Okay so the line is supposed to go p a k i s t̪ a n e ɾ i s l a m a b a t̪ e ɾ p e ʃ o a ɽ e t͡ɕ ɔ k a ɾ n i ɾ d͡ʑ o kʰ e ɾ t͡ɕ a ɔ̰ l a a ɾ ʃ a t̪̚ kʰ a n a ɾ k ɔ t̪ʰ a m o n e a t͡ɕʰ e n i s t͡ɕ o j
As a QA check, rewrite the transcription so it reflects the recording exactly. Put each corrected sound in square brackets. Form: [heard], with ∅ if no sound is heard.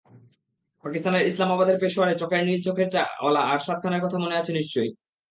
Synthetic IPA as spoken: p a k i s t̪ a n e ɾ i s l a m a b a [d̪] e ɾ p e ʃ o a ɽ e t͡ɕ ɔ k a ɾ n i ɾ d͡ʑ o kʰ e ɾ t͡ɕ a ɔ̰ l a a ɾ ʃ a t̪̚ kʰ a n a ɾ k ɔ t̪ʰ a m o n e a t͡ɕʰ e n i [ʃ] t͡ɕ o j